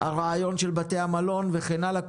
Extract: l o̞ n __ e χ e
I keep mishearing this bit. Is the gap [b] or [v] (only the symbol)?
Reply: v